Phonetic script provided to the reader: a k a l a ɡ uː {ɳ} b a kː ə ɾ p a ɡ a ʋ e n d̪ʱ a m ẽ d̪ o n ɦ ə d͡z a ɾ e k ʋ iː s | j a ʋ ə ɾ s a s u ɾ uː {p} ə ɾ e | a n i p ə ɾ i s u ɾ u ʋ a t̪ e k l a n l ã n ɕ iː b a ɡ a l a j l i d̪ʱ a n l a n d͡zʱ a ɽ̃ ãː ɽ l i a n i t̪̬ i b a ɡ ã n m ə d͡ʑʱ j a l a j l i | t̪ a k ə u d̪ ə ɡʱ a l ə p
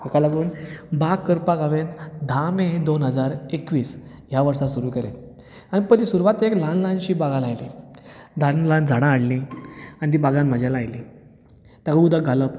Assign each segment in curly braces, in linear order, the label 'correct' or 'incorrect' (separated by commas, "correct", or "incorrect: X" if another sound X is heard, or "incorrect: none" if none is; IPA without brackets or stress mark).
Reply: incorrect: n, incorrect: k